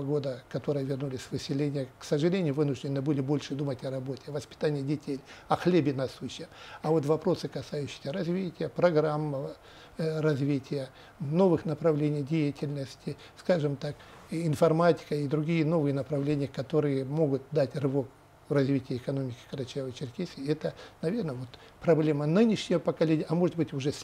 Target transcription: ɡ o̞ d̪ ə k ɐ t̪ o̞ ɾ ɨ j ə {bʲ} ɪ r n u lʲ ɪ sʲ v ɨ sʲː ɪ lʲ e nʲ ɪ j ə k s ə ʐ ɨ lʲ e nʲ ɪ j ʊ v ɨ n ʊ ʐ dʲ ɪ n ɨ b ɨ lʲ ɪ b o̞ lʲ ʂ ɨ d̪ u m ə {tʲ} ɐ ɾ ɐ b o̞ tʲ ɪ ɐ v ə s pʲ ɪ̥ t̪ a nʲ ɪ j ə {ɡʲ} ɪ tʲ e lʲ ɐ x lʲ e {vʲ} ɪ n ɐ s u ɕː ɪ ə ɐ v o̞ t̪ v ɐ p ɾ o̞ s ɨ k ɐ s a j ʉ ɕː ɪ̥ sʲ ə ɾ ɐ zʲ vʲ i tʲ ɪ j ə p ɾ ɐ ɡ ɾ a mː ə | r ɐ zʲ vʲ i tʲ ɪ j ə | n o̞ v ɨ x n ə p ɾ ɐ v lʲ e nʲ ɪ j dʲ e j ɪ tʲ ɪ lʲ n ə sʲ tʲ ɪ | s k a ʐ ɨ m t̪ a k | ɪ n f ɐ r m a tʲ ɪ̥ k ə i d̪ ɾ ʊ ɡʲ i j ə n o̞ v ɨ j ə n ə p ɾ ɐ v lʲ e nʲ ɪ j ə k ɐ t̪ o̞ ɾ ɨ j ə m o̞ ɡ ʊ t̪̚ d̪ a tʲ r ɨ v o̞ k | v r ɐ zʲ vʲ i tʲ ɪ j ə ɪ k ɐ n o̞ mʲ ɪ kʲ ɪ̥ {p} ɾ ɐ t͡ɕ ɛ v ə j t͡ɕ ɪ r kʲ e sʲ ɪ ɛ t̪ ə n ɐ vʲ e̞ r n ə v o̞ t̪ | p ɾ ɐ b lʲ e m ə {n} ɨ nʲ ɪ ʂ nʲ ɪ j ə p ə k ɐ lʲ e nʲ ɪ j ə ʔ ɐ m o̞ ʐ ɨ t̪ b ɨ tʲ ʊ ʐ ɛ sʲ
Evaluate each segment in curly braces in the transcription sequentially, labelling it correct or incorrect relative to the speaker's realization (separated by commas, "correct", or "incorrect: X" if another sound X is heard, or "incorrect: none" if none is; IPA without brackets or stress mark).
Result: incorrect: vʲ, correct, incorrect: dʲ, incorrect: bʲ, incorrect: k, correct